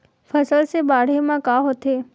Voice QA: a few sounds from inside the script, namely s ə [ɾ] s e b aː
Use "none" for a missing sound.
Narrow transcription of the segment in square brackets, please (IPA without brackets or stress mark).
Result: l